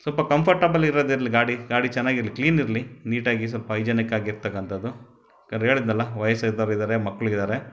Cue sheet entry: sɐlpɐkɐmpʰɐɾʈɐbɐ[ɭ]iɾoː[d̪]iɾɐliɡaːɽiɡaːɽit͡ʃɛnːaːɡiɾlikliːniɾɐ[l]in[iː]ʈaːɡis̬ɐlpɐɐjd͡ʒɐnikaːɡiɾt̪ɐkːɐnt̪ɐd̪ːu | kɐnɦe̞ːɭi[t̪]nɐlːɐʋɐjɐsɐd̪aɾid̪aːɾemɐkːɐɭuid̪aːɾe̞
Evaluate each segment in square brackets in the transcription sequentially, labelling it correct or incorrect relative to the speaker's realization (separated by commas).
incorrect, correct, correct, correct, incorrect